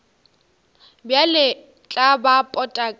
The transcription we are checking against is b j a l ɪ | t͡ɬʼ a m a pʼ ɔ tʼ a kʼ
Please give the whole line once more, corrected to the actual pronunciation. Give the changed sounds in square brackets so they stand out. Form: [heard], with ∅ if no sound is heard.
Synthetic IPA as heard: b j a l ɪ | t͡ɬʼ a [b] a pʼ ɔ tʼ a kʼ